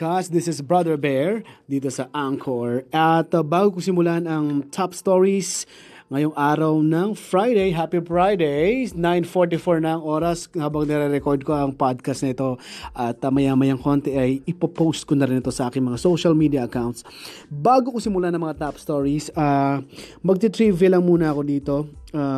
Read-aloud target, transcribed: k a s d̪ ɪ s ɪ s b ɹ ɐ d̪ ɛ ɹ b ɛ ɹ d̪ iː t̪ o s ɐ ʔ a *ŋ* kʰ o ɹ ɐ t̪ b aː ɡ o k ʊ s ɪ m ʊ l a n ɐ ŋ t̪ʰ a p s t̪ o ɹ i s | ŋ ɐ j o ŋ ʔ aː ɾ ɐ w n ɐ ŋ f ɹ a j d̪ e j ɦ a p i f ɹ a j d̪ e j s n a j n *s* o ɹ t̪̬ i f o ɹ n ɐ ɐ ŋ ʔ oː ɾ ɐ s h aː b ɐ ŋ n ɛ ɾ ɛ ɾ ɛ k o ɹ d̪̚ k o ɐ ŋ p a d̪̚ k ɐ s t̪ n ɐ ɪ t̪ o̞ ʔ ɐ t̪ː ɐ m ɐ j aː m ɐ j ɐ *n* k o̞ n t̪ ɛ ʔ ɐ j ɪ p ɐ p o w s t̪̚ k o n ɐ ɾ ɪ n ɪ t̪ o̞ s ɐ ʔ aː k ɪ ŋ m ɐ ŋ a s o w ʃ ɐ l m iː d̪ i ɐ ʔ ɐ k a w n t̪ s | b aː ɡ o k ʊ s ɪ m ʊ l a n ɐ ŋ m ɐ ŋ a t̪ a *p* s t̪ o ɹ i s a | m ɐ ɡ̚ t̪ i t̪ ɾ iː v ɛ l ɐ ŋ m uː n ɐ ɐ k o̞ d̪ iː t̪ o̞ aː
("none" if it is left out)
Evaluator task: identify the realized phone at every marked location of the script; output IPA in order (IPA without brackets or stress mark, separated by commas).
ŋ, f, ŋ, p